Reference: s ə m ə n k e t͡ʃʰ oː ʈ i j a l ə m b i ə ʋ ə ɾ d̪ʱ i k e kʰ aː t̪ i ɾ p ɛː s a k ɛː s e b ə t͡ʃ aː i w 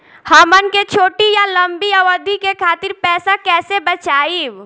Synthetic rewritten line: h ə m ə n k e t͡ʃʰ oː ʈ i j a l ə m b i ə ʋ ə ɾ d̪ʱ i k e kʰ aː t̪ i ɾ p ɛː s a k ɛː s e b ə t͡ʃ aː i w